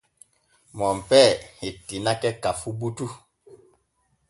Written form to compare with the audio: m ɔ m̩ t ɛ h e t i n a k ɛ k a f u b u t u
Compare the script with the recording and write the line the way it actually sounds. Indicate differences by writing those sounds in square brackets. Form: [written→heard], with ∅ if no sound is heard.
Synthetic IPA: m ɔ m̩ [t→p] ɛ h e t i n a k ɛ k a f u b u t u